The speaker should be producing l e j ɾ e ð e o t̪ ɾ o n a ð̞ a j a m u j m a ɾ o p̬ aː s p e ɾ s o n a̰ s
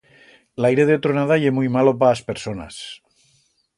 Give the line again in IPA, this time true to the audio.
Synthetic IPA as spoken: l a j ɾ e ð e o t̪ ɾ o n a ð̞ a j e m u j m a l o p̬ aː s p e ɾ s o n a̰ s